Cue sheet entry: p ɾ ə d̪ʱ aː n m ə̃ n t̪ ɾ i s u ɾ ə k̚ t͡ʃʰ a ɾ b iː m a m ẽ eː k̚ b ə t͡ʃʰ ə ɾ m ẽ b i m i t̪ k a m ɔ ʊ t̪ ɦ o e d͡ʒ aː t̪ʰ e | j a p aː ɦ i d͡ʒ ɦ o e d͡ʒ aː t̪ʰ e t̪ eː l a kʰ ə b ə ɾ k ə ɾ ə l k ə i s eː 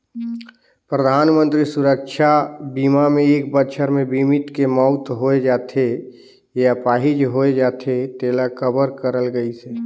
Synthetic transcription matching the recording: p ɾ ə d̪ʱ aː n m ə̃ n t̪ ɾ i s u ɾ ə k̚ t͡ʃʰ a b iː m a m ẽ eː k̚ b ə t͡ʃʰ ə ɾ m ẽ b i m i t̪ k e m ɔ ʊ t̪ ɦ o e d͡ʒ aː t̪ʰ e | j a p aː ɦ i d͡ʒ ɦ o e d͡ʒ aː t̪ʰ e t̪ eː l a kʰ ə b ə ɾ k ə ɾ ə l ɡ ə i s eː